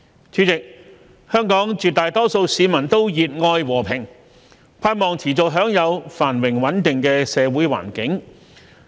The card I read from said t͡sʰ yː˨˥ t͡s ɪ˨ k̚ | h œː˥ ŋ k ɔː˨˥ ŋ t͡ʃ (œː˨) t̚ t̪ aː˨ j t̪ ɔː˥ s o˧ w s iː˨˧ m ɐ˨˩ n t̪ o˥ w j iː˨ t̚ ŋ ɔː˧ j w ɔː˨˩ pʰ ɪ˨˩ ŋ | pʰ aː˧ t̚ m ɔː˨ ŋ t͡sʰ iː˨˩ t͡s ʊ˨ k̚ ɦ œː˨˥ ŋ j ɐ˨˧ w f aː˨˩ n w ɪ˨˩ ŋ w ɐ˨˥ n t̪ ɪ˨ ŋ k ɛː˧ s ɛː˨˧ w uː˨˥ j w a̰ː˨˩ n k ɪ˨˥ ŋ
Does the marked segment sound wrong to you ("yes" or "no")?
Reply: yes